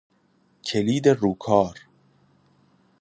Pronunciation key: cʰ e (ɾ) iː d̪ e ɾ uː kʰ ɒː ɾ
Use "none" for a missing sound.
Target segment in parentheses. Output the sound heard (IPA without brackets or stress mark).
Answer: l